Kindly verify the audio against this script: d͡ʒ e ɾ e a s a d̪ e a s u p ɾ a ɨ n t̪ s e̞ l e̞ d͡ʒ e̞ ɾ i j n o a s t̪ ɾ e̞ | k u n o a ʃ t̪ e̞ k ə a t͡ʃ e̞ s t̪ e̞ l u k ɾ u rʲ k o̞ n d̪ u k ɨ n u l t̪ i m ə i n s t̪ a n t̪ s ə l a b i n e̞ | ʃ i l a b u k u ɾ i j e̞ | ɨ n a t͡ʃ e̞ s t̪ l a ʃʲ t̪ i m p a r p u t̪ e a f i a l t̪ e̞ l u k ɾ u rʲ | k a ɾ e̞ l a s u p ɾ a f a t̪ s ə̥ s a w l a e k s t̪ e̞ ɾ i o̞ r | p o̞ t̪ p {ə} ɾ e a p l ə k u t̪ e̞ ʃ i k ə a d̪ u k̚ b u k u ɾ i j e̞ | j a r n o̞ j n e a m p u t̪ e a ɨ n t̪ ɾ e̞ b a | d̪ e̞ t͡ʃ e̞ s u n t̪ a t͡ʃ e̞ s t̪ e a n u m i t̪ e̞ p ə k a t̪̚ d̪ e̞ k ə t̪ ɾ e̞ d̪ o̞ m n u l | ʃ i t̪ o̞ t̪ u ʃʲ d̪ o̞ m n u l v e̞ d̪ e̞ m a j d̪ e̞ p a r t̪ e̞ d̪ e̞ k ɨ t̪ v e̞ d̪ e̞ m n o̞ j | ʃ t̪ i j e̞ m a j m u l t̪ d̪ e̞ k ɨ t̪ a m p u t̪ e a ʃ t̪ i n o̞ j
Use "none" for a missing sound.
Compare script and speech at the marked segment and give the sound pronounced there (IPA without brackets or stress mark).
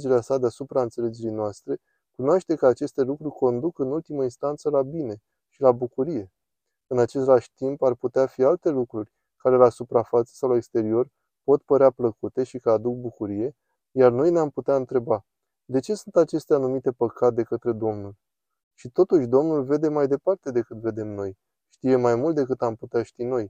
ə